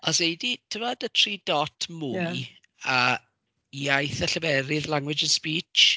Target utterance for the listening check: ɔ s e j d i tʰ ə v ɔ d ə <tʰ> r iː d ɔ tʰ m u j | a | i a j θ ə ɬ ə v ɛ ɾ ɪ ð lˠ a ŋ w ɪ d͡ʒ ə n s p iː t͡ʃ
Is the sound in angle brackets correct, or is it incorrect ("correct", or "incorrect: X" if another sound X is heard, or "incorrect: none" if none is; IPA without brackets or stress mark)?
correct